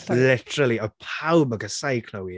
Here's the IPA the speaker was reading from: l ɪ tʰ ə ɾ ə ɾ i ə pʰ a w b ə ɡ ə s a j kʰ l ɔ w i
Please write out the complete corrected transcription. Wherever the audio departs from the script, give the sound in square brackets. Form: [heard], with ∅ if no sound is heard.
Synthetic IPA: l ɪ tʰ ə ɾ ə [l] i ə pʰ a w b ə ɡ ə s a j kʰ l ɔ w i